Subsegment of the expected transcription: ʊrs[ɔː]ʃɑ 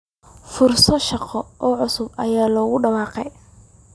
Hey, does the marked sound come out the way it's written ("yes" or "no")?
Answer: no